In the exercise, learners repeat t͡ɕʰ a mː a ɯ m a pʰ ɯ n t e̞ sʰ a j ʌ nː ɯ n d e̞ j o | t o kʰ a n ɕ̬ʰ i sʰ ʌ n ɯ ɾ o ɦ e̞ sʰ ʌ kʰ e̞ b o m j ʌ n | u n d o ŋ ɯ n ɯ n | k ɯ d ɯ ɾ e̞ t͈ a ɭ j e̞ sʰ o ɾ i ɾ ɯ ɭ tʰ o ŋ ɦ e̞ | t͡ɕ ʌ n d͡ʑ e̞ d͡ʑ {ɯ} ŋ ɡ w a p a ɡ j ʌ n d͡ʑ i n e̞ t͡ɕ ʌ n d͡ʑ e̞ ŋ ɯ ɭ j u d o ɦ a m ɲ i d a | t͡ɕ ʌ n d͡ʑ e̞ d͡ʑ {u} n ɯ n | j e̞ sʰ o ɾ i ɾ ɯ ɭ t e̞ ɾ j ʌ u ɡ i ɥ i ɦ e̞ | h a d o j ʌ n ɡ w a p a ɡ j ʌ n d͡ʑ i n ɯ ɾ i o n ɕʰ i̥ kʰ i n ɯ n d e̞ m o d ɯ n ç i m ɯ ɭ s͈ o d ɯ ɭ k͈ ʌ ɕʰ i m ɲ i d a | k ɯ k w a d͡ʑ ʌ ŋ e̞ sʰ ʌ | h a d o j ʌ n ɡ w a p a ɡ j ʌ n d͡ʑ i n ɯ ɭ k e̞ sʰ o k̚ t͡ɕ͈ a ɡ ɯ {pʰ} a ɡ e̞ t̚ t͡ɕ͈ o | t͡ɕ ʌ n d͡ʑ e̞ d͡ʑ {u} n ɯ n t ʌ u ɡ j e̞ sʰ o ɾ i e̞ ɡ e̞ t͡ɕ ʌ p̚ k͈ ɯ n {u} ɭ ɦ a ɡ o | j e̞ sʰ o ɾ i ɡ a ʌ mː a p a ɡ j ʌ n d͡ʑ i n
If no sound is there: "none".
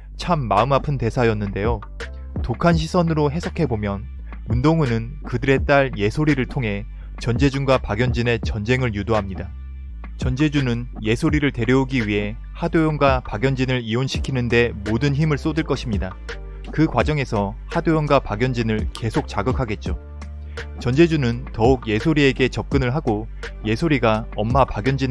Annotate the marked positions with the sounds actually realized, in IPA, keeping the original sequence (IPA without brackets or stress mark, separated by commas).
u, u, kʰ, u, ɯ